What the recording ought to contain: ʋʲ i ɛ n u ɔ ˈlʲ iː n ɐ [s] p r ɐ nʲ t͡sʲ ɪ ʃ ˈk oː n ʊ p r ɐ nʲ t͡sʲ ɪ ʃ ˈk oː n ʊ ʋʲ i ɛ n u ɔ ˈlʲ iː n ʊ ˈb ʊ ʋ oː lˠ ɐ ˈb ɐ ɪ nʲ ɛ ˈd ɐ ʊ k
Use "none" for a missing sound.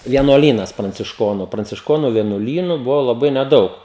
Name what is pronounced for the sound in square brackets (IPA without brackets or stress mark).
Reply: s